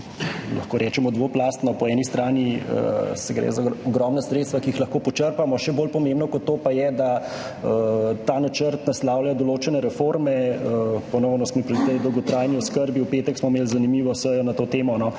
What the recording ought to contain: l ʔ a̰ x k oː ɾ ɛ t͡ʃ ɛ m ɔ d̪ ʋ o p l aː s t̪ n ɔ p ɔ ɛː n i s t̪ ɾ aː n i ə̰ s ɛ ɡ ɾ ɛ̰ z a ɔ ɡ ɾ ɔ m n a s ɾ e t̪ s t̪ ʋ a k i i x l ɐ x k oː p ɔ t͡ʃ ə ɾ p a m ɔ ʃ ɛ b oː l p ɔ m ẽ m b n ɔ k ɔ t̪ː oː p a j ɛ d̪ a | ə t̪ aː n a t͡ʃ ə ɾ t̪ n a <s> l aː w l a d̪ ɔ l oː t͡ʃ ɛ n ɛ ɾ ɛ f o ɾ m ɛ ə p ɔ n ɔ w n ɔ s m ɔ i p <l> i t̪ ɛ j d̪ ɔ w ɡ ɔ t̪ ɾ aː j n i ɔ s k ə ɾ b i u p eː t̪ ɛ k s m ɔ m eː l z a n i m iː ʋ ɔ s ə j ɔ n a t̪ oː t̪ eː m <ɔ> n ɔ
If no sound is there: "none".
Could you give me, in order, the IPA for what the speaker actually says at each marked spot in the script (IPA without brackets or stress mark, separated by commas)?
s, ɾ, ɔ